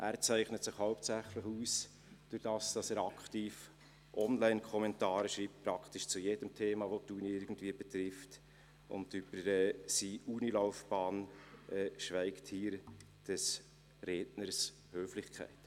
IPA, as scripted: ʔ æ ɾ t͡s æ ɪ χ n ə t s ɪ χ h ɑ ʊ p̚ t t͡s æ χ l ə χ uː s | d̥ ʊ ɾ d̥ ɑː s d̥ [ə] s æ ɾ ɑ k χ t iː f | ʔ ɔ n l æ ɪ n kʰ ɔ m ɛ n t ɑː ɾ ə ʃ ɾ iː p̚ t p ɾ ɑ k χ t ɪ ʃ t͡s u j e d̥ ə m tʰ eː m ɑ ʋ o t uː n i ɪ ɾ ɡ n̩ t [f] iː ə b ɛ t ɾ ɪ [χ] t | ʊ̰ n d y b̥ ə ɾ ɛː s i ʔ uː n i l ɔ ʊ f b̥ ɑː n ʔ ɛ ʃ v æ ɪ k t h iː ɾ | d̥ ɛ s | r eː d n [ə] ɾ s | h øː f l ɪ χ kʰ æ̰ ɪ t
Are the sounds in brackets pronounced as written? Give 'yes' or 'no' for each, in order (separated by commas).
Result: no, no, no, yes